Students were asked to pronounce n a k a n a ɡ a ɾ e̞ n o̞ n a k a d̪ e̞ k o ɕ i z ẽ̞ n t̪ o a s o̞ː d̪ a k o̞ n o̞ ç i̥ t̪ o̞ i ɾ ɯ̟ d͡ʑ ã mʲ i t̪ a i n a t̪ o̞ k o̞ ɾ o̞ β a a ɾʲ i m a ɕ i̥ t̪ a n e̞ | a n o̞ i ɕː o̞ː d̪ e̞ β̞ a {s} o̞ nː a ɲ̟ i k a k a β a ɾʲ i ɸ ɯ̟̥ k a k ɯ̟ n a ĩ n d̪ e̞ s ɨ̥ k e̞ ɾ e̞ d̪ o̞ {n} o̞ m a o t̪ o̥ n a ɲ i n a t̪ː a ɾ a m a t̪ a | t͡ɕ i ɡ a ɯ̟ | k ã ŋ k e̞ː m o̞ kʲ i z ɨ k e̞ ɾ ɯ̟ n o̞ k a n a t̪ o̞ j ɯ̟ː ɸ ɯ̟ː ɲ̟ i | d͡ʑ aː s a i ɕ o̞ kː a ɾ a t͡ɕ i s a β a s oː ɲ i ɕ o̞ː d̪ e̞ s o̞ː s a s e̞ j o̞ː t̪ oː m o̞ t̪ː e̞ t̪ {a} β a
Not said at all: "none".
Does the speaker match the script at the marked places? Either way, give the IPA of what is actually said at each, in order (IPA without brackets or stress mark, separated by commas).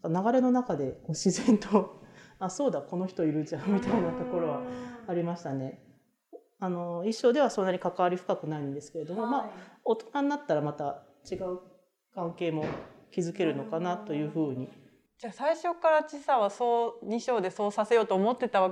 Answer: s, m, a